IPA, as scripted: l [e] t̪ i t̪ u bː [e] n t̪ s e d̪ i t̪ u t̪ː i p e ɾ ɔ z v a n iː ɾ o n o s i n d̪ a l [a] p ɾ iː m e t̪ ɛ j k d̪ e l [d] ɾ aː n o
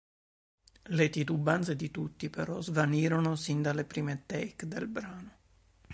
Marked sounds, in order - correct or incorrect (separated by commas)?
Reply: correct, incorrect, incorrect, incorrect